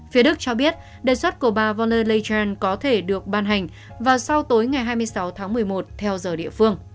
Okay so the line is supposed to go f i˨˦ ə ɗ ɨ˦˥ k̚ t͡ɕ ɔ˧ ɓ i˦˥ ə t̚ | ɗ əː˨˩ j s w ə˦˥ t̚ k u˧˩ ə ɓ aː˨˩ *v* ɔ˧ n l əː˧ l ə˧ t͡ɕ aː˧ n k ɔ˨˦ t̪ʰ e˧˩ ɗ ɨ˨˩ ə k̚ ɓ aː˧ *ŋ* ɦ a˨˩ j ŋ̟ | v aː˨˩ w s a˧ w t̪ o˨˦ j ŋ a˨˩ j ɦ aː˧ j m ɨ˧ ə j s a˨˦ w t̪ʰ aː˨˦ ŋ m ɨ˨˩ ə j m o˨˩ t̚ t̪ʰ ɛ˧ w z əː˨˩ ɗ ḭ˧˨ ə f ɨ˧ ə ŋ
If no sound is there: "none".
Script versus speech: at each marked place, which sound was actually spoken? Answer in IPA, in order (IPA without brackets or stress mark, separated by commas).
v, n